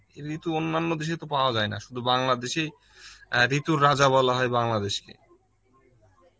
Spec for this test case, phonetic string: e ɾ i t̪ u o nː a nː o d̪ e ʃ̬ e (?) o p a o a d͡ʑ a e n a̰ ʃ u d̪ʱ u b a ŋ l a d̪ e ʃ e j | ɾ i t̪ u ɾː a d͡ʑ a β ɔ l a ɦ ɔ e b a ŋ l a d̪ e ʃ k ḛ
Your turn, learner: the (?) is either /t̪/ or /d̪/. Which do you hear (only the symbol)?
t̪